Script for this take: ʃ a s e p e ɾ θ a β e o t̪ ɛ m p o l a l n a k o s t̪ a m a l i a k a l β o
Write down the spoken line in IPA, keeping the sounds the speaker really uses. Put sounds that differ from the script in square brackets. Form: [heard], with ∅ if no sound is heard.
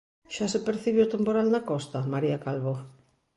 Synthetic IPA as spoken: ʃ a s e p e ɾ θ [i] β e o t̪ [e] m p o [ɾ] a l n a k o s t̪ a m a [ɾ] i a k a l β o